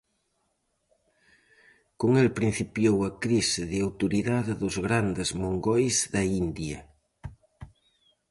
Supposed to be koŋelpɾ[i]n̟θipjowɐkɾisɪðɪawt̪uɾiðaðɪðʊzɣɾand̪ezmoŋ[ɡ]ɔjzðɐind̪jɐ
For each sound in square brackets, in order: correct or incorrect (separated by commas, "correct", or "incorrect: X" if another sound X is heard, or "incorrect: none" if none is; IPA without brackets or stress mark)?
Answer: correct, correct